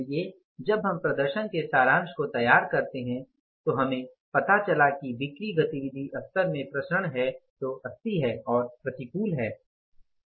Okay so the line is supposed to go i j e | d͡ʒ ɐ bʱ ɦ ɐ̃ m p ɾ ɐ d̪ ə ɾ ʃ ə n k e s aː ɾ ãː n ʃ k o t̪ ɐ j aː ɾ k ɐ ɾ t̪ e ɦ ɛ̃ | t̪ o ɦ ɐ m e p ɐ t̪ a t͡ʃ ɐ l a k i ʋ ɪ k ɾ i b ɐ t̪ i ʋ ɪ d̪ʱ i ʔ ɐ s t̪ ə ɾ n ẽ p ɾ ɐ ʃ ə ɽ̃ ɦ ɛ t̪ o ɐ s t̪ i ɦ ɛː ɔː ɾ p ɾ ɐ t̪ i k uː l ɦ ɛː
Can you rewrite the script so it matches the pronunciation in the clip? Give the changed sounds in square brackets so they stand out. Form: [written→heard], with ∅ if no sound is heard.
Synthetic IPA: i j e | d͡ʒ ɐ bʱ ɦ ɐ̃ m p ɾ ɐ d̪ ə ɾ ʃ ə n k e s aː ɾ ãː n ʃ k o t̪ ɐ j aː ɾ k ɐ ɾ t̪ e ɦ ɛ̃ | t̪ o ɦ ɐ m [e→ẽ] p ɐ t̪ a t͡ʃ ɐ l a k i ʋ ɪ k ɾ i [b→ɡ] ɐ t̪ i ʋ ɪ d̪ʱ i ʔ ɐ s t̪ ə ɾ [n→m] ẽ p ɾ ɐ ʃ ə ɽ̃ ɦ ɛ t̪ o ɐ s t̪ i ɦ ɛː ɔː ɾ p ɾ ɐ t̪ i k uː l ɦ ɛː